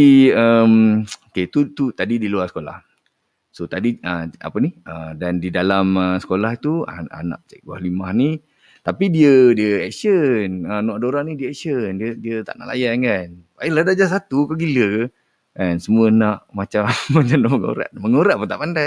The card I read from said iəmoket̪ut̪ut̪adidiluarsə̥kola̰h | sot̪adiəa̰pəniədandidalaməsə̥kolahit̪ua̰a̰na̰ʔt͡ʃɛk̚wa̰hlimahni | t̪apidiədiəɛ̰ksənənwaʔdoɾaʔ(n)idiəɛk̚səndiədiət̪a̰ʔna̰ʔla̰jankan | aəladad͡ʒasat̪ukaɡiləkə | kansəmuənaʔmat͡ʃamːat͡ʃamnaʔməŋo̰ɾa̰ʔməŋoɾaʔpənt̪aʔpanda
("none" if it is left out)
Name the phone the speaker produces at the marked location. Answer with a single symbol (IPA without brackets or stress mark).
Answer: n